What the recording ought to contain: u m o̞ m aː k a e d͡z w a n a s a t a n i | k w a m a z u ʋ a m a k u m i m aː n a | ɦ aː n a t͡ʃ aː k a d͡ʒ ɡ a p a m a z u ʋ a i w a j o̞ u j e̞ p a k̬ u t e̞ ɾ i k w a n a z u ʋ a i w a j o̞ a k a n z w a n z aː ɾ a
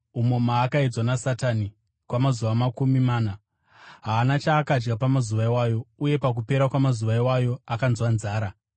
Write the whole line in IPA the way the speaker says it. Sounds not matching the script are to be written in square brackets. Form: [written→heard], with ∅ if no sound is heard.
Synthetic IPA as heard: u m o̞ m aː k a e d͡z w a n a s a t a n i | k w a m a z u ʋ a m a k u m i m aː n a | ɦ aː n a t͡ʃ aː k a d͡ʒ ɡ a p a m a z u ʋ a i w a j o̞ u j e̞ p a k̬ u [t→p] e̞ ɾ [i→a] k w a [n→m] a z u ʋ a i w a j o̞ a k a n z w a n z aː ɾ a